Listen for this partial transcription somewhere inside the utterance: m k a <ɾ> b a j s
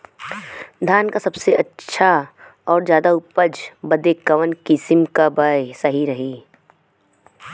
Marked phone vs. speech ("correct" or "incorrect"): incorrect